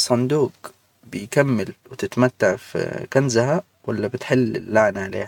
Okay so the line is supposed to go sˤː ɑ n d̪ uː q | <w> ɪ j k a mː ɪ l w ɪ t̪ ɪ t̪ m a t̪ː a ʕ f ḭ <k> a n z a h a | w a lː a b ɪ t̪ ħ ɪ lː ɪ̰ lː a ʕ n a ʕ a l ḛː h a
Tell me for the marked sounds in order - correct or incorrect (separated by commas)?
incorrect, correct